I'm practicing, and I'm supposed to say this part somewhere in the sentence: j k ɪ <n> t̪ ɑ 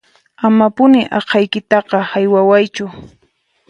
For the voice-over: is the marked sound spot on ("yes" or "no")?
no